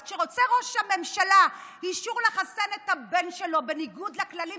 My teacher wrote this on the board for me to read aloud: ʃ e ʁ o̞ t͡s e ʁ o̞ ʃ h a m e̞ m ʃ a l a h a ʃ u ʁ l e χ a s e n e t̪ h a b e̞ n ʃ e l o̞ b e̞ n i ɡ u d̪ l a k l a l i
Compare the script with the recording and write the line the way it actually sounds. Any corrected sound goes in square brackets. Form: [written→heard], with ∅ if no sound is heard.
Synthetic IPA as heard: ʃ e ʁ o̞ t͡s e ʁ o̞ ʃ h a m e̞ m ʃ a l a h [a→i] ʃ u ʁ l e χ a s e n e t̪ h a b e̞ n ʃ e l o̞ b e̞ n i ɡ u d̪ l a k l a l i

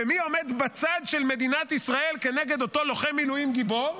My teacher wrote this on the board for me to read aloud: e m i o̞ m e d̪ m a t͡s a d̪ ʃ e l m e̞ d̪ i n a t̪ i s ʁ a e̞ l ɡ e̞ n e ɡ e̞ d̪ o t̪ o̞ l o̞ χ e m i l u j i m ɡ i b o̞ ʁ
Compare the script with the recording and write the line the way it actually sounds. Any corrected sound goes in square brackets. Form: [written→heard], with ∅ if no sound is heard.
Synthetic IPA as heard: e m i o̞ m e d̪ [m→b] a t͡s a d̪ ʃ e l m e̞ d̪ i n a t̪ i s ʁ a e̞ l [ɡ→k] e̞ n e ɡ e̞ d̪ o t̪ o̞ l o̞ χ e m i l u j i m ɡ i b o̞ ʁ

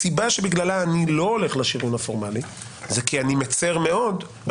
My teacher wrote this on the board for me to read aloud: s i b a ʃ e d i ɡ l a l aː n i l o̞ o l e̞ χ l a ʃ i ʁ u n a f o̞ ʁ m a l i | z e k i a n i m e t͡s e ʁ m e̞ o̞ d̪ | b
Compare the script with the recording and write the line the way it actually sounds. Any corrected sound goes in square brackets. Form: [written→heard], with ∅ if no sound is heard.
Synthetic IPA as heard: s i b a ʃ e [d→b] i ɡ l a l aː n i l o̞ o l e̞ χ l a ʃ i ʁ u n a f o̞ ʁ m a l i | z e k i a n i m e t͡s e ʁ m e̞ o̞ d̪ | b

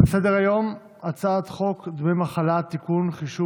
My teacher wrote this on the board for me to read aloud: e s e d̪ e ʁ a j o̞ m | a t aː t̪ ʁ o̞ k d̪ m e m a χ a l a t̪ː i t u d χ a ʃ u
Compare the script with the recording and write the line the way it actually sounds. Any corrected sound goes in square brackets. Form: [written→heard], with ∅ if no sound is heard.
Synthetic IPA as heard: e s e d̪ e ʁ a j o̞ m | a [t→t͡s] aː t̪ [ʁ→χ] o̞ k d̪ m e m a χ a l a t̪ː i [t→k] u [d→n] χ [a→i] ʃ u

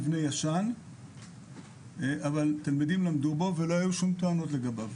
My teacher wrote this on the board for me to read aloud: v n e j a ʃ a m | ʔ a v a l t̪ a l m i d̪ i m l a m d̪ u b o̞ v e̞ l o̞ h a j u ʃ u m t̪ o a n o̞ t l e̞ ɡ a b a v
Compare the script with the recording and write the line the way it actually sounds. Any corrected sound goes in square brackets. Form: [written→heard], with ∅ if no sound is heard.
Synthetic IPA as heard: v n e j a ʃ a [m→n] | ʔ a v a l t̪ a l m i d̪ i m l a m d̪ u b o̞ v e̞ l o̞ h a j u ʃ u m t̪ o a n o̞ t l e̞ ɡ a b a v

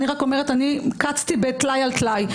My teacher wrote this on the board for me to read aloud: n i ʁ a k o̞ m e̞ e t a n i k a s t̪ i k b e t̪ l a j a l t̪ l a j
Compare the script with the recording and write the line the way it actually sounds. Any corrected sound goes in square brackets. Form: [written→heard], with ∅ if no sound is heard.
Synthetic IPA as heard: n i ʁ a k o̞ m e̞ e t a n i k a [s→t͡s] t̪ i [k→∅] b e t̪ l a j a l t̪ l a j

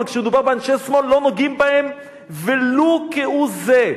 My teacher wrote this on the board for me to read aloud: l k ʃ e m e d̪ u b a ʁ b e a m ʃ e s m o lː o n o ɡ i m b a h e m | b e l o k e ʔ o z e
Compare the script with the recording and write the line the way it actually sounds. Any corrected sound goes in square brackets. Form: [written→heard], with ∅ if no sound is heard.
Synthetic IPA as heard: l k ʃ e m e d̪ u b a ʁ b e a [m→n] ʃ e s m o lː o n o ɡ i m b a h e m | [b→v] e l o k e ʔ [o→u] z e

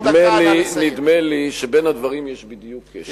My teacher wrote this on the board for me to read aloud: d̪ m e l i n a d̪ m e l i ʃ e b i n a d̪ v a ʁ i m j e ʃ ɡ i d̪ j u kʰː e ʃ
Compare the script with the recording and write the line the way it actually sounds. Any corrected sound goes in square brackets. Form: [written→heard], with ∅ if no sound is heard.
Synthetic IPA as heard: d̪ m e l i n [a→i] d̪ m e l i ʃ e b [i→e] n a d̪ v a ʁ i m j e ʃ [ɡ→b] i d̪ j u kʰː e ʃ

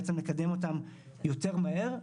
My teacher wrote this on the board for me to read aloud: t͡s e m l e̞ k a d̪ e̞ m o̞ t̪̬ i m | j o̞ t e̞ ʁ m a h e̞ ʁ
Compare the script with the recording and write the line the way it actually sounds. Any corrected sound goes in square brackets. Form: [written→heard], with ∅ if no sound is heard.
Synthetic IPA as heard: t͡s e m l e̞ k a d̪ e̞ m o̞ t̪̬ [i→a] m | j o̞ t e̞ ʁ m a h e̞ ʁ

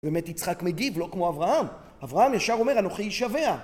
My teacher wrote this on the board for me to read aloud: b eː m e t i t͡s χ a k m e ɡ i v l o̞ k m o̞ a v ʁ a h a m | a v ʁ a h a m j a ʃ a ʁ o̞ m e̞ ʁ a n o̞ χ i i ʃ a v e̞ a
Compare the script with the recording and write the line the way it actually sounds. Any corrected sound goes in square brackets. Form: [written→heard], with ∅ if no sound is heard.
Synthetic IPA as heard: b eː m e t i t͡s χ a k m e ɡ i v l o̞ k m o̞ a v ʁ a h a m | a v ʁ a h a m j a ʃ a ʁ o̞ m e̞ ʁ a n o̞ χ i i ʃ a v e̞ a

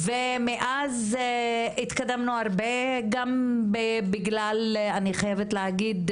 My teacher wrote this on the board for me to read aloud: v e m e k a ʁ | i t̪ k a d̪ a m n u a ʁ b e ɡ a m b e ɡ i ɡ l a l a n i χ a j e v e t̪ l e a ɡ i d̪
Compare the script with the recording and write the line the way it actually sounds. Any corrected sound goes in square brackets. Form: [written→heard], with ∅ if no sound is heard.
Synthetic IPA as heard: v e m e [k→ʔ] a [ʁ→z] | i t̪ k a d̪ a m n u a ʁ b e ɡ a m b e [ɡ→b] i ɡ l a l a n i χ a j e v e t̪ l e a ɡ i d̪

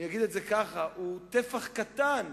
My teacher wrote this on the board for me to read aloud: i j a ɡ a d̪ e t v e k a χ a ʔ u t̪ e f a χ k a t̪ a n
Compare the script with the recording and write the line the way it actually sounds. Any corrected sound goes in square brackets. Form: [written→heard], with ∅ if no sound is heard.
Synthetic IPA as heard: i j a ɡ [a→i] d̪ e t [v→z] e k a χ a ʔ u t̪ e f a χ k a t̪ a n

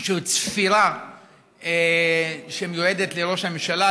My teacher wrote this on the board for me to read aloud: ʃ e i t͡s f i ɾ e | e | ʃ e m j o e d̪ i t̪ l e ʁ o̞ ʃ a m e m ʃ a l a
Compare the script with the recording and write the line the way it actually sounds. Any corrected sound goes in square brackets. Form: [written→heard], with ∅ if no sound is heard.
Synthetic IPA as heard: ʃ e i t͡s f i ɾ [e→a] | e | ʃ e m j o e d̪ [i→e] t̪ l e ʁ o̞ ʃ a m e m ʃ a l a

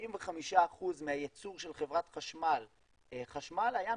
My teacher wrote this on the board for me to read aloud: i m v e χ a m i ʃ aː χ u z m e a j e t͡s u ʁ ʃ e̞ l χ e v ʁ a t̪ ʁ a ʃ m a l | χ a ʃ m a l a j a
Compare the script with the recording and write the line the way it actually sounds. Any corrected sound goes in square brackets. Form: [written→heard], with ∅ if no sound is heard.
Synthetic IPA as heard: i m v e χ a m i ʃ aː χ u z m e a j e t͡s u ʁ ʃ e̞ l χ e v ʁ a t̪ [ʁ→χ] a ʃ m a l | χ a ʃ m a l a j a

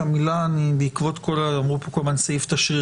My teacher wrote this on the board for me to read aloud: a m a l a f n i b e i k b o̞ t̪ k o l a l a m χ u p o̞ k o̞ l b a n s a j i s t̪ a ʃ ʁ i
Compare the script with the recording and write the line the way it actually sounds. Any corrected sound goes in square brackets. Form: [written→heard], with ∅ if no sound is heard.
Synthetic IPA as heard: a m [a→i] l a [f→∅] n i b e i k [b→v] o̞ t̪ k o l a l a m [χ→ʁ] u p o̞ k o̞ l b a n s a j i [s→f] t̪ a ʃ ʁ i

